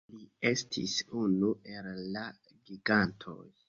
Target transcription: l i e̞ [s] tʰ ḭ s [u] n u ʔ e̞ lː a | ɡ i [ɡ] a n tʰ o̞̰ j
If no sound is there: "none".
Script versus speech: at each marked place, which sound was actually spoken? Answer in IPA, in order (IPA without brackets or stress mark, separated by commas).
s, u, ɡ